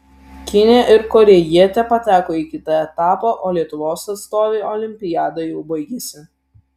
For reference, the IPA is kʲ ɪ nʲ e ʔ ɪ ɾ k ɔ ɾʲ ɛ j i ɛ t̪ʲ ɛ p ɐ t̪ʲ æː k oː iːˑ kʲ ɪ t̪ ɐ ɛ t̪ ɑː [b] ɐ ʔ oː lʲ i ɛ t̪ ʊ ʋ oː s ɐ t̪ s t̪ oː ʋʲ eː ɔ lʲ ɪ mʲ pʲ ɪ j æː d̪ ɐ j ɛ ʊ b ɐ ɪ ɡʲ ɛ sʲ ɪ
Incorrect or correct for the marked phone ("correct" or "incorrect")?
incorrect